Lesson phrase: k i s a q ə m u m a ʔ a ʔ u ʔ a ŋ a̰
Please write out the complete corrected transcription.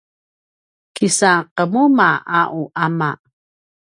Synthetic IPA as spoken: k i s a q ə m u m a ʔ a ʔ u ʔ a m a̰